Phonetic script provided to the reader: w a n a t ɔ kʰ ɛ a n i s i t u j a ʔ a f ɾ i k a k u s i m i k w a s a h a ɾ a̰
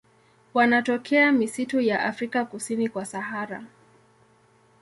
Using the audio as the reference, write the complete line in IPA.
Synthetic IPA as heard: w a n a t ɔ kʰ ɛ a m i s i t u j a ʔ a f ɾ i k a k u s i n i k w a s a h a ɾ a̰